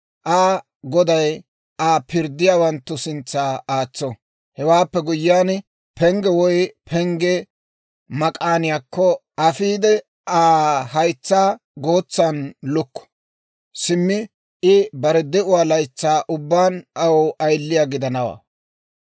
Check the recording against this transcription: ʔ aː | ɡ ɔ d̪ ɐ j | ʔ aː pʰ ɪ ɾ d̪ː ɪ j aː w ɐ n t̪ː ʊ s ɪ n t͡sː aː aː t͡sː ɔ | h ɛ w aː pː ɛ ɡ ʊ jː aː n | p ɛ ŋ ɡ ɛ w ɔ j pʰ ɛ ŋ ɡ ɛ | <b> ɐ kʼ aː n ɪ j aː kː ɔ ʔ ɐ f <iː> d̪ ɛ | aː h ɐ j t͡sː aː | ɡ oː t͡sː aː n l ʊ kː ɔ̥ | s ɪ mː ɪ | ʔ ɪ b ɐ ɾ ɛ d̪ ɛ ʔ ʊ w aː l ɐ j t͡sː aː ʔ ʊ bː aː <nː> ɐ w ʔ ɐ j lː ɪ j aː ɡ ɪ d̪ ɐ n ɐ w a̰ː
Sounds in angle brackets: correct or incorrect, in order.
incorrect: m, correct, incorrect: n

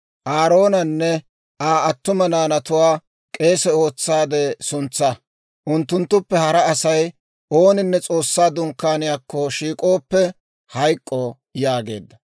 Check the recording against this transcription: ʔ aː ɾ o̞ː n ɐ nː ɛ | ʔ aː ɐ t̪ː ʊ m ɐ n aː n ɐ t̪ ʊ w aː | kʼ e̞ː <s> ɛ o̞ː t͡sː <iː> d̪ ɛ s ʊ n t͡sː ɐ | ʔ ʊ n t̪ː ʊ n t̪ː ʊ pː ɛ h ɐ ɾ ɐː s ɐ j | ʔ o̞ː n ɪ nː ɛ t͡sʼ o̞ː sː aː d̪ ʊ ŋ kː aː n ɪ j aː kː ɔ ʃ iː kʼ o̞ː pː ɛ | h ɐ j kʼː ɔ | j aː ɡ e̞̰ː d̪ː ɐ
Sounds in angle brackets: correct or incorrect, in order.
correct, incorrect: aː

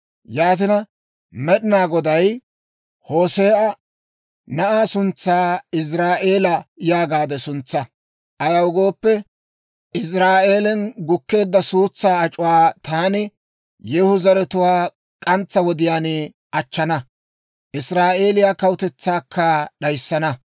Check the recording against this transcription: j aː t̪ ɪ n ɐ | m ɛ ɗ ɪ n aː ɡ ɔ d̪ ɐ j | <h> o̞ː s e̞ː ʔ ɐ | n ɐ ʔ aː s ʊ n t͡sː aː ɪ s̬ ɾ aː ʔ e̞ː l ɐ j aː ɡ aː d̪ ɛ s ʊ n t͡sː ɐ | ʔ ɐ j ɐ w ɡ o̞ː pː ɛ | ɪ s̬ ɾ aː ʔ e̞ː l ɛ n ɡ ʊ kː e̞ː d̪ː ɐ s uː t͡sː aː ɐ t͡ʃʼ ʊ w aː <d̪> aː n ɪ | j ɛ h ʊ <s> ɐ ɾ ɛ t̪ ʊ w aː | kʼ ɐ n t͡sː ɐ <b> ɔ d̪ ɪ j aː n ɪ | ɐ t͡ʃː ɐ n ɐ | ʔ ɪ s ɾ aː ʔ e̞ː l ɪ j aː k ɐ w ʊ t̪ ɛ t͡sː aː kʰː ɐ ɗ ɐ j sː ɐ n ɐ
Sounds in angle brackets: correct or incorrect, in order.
correct, incorrect: t̪, incorrect: z, incorrect: w

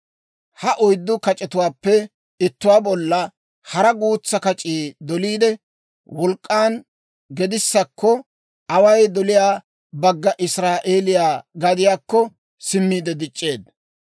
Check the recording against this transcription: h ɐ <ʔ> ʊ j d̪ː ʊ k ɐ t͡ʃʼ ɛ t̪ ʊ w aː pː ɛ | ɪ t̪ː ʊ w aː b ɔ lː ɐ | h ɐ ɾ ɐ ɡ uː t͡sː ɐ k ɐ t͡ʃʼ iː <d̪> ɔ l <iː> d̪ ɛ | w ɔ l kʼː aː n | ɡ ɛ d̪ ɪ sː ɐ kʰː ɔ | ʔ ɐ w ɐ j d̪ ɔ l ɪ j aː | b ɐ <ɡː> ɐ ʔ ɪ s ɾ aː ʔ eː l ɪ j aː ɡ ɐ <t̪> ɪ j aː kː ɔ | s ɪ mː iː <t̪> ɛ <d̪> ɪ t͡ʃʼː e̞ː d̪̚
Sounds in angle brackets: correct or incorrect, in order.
correct, correct, correct, correct, incorrect: d̪, incorrect: d̪, correct

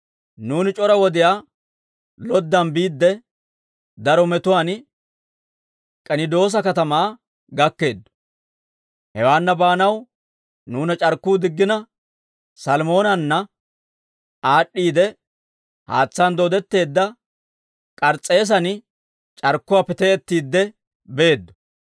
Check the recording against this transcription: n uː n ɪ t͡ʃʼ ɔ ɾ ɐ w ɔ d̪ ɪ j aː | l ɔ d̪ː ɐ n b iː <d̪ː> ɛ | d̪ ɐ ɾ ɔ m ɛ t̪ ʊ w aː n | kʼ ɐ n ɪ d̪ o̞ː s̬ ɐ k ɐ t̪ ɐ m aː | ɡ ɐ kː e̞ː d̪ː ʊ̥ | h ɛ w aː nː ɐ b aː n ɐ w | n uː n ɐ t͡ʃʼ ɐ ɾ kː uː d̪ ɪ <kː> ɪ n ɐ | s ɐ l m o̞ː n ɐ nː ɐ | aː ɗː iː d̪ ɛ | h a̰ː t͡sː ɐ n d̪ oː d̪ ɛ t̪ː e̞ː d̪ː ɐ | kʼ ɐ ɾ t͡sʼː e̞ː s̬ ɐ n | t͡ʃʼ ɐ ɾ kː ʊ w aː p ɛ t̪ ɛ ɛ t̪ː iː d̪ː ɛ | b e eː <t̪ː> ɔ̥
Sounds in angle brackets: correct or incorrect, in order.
correct, incorrect: ɡː, incorrect: d̪ː

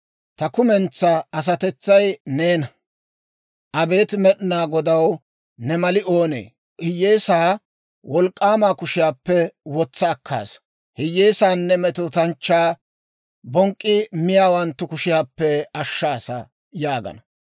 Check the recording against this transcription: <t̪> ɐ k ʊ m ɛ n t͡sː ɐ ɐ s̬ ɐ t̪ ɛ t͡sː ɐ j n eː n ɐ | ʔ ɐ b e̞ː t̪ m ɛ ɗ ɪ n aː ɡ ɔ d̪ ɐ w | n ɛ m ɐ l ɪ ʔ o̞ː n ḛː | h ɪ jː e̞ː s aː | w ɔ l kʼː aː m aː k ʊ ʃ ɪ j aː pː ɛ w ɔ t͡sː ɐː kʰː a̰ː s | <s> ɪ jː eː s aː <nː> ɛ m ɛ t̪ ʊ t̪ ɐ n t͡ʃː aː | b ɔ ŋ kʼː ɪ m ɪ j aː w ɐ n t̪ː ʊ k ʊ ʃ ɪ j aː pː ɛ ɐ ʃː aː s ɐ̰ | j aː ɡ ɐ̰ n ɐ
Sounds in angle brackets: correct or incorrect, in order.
correct, incorrect: h, correct

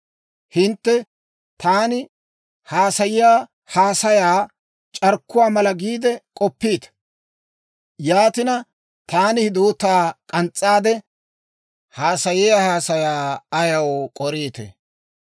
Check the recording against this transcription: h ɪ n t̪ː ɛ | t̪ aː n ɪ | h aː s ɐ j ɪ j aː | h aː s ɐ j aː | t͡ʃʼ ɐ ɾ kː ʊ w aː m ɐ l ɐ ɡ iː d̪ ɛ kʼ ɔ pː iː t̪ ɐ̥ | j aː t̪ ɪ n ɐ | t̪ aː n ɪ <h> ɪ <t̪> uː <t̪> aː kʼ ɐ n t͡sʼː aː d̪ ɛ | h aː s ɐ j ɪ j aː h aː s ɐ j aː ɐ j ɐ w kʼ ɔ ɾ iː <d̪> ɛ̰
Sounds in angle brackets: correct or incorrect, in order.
correct, incorrect: d̪, correct, incorrect: t̪

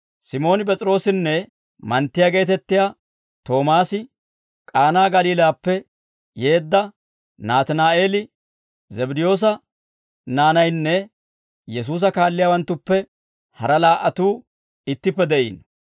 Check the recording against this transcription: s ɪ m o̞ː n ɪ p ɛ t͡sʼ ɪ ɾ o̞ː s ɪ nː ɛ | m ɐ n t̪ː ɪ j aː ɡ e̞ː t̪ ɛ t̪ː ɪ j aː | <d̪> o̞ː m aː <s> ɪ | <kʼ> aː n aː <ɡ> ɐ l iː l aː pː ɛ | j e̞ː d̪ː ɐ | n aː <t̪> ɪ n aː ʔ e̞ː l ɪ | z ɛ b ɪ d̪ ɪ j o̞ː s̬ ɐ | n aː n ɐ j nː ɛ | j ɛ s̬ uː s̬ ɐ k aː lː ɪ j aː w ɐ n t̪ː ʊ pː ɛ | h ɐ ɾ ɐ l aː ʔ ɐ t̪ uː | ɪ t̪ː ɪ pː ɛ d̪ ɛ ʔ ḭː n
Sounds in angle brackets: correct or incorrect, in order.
incorrect: t̪, correct, correct, correct, correct

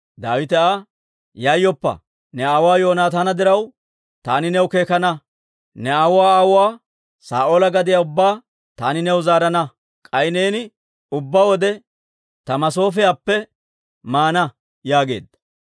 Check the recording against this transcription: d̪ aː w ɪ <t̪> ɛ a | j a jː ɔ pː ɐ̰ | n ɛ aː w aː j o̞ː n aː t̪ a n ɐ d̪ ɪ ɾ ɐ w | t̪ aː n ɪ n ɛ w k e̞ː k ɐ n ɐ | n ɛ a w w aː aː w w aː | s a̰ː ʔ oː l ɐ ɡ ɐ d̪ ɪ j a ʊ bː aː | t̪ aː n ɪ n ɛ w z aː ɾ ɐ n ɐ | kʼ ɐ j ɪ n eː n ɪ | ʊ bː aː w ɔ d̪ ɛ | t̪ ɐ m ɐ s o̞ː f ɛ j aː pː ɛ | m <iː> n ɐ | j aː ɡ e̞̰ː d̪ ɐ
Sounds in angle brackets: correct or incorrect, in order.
correct, incorrect: aː

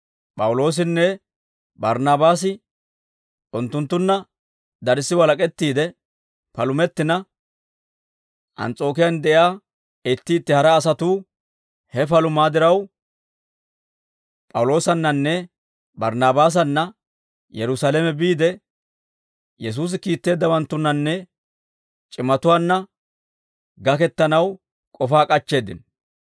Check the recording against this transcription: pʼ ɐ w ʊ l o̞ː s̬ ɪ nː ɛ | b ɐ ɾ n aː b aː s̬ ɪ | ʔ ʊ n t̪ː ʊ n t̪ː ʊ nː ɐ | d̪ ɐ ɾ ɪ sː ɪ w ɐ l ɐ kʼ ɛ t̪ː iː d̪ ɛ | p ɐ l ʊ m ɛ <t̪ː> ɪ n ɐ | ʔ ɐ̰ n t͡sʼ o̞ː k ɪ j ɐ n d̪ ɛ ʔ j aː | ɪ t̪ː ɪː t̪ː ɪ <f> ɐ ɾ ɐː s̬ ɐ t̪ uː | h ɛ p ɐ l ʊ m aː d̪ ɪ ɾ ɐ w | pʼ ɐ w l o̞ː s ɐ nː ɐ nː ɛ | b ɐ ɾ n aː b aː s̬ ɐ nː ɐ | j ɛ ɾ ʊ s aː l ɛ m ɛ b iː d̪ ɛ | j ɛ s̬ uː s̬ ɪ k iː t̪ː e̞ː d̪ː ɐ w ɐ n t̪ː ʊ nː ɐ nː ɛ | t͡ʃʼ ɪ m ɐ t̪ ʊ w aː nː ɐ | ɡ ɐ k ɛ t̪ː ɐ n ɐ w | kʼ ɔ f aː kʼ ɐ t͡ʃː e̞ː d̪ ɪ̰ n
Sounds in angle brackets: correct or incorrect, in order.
correct, incorrect: h

